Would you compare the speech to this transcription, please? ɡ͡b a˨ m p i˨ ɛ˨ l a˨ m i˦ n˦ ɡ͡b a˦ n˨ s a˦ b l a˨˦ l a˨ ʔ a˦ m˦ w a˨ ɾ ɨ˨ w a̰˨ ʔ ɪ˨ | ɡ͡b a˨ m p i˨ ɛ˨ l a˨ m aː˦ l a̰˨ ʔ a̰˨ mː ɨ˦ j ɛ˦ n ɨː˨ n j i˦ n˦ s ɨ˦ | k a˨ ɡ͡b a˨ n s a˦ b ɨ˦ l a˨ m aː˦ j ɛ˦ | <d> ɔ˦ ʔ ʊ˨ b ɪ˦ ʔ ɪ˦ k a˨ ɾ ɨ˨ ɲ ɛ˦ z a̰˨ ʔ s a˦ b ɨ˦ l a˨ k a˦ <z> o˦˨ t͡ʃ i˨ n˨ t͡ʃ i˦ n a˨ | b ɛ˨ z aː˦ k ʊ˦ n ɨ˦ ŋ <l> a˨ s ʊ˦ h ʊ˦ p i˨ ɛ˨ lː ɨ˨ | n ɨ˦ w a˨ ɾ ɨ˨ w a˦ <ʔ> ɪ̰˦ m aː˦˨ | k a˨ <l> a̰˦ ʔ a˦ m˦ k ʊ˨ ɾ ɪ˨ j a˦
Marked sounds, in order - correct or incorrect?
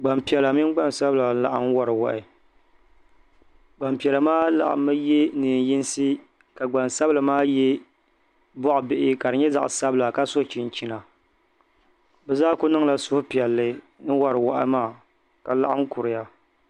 incorrect: b, incorrect: s, correct, correct, correct

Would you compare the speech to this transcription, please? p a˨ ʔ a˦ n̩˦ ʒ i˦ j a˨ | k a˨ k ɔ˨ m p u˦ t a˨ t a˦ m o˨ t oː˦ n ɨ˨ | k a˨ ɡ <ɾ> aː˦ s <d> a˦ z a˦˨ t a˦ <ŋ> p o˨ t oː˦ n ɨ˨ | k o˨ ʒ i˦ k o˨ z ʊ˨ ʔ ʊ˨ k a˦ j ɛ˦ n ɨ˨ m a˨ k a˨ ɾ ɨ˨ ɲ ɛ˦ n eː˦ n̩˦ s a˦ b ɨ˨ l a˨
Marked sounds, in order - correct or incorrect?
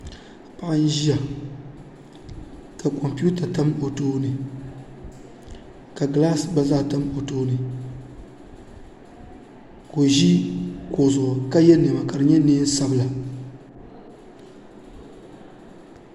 incorrect: l, incorrect: b, incorrect: m

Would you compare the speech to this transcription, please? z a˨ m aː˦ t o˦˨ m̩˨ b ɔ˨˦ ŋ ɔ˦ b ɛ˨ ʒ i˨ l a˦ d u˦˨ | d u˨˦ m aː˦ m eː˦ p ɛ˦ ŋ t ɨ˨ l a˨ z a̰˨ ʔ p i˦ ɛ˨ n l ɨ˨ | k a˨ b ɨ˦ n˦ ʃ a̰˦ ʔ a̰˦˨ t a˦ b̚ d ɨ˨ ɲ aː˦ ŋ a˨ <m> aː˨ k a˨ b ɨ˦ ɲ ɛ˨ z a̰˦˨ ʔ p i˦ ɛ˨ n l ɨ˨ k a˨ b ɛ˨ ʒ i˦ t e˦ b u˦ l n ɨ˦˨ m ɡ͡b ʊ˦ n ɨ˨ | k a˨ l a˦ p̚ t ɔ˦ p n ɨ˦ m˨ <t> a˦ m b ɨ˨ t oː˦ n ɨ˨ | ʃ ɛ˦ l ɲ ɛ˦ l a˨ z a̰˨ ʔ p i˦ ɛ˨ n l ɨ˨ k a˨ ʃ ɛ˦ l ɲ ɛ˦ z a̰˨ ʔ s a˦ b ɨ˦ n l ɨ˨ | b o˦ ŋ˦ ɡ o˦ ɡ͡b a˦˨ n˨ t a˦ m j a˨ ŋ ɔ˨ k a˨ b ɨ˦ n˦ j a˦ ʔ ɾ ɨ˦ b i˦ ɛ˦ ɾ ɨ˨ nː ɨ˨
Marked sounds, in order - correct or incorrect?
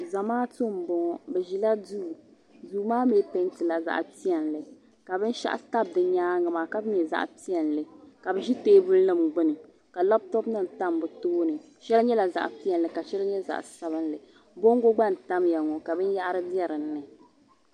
correct, correct

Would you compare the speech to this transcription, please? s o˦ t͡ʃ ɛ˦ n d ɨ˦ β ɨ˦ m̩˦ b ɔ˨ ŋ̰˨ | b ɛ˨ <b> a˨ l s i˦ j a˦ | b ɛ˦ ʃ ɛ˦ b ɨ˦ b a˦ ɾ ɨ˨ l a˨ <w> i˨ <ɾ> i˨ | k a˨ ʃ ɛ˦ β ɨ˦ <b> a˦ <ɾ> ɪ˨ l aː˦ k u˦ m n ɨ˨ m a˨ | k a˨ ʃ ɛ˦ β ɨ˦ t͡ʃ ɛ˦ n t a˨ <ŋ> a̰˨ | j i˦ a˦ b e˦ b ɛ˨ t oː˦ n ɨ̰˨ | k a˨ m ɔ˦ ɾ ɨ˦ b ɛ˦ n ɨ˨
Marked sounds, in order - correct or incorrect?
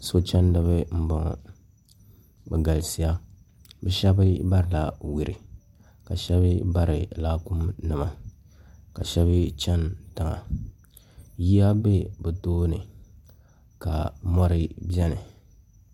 incorrect: ɡ, correct, correct, correct, correct, correct

